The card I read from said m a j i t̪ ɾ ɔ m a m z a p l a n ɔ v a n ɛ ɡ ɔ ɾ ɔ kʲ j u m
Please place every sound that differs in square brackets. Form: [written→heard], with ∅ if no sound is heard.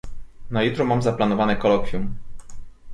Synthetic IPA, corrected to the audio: [m→n] a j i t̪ ɾ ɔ m a m z a p l a n ɔ v a n ɛ [ɡ→k] ɔ [ɾ→l] ɔ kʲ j u m